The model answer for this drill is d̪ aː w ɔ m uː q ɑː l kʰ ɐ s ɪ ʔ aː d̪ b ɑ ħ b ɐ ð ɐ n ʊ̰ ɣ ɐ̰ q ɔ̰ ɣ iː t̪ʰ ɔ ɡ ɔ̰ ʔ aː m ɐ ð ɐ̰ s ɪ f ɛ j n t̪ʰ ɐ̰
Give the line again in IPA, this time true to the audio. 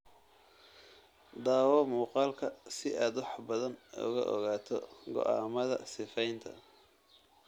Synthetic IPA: d̪ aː w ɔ m uː q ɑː l kʰ ɐ s ɪ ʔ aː d̪ w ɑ ħ b ɐ ð ɐ n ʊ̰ ɣ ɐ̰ ʔ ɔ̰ ɣ aː t̪ʰ ɔ ɡ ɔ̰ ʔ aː m ɐ ð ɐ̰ s ɪ f ɛ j n t̪ʰ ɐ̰